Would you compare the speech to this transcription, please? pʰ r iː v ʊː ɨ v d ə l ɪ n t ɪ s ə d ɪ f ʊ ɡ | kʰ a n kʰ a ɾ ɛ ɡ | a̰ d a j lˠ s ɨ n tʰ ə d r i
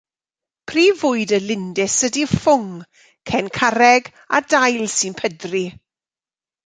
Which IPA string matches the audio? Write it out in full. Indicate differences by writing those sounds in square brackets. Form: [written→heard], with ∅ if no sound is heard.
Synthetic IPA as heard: pʰ r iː v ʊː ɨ [v→∅] d ə l ɪ n [t→d] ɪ s ə d [ɪ→i] f ʊ [ɡ→ŋ] | kʰ [a→ɛ] n kʰ a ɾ ɛ ɡ | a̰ d a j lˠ s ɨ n [tʰ→pʰ] ə d r i